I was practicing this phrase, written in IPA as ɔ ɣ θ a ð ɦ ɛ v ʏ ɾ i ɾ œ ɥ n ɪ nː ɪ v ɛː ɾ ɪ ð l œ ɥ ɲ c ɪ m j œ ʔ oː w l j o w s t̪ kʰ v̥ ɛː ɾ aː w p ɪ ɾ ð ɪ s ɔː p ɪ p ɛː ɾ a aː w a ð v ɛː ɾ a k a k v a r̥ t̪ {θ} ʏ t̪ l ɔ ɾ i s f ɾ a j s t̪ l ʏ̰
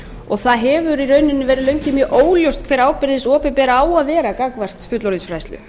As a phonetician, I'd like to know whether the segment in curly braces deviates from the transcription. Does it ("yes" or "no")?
yes